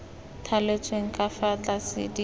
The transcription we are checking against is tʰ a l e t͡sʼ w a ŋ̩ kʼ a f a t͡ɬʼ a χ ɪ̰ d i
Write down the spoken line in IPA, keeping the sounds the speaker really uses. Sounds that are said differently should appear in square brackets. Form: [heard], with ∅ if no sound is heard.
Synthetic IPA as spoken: tʰ a l e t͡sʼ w [e] ŋ̩ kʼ a f a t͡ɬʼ a [s] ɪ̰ d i